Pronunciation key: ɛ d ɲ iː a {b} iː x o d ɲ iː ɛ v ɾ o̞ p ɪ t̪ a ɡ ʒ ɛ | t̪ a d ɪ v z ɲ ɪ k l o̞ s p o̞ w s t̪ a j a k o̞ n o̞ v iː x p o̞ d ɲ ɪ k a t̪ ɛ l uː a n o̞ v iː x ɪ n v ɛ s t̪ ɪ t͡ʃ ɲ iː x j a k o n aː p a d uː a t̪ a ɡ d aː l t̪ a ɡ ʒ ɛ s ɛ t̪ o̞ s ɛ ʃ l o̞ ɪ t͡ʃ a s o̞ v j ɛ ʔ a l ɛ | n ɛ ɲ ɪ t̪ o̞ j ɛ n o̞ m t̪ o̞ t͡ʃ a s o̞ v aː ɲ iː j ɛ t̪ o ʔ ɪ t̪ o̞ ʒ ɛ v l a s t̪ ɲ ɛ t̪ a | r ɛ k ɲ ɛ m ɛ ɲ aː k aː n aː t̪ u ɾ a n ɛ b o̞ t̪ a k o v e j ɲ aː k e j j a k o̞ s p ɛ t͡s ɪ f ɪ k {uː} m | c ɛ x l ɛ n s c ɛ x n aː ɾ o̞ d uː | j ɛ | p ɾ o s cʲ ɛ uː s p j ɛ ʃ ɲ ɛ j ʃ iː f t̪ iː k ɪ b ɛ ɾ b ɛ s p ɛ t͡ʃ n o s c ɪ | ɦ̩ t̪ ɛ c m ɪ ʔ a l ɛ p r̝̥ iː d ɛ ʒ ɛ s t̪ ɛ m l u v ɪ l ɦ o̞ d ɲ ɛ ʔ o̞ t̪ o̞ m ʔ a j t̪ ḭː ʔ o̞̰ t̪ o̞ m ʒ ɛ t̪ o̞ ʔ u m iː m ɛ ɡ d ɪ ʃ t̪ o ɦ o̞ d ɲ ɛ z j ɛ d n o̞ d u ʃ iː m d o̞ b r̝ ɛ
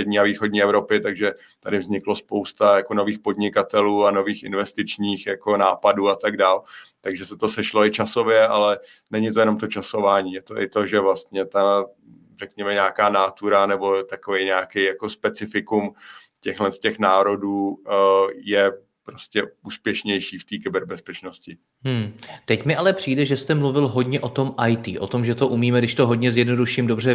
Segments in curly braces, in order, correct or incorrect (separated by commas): incorrect, incorrect